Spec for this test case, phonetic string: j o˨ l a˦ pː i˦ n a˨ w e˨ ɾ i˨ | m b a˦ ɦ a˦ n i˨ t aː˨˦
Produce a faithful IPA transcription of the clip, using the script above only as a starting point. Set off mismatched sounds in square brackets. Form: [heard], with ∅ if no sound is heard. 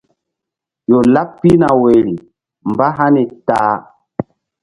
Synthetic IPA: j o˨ l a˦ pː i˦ n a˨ w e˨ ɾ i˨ | m b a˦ ɦ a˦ n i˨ t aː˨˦